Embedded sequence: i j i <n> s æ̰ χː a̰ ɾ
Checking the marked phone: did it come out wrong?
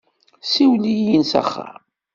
no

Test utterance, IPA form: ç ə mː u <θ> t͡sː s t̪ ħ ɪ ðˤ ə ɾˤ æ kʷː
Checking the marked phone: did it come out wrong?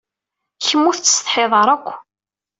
no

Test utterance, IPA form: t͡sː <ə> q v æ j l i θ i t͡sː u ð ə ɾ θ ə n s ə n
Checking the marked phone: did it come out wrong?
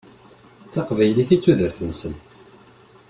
yes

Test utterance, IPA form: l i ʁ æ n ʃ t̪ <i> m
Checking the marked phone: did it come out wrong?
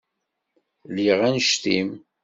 no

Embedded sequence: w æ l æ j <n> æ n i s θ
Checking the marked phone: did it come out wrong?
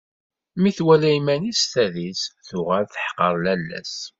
yes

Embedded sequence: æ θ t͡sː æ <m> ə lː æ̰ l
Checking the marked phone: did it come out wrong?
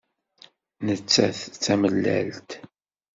no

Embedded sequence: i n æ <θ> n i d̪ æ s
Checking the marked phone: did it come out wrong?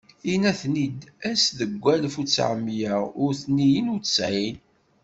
no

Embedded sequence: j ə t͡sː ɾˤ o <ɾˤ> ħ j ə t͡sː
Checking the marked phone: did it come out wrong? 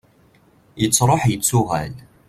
yes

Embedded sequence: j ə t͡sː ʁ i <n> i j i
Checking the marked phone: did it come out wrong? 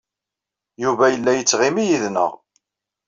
yes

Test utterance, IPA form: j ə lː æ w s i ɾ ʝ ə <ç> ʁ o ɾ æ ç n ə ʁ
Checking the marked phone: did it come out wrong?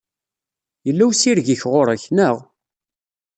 no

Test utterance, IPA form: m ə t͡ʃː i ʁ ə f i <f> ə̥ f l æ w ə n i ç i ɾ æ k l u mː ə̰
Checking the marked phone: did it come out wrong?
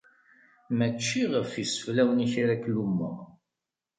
yes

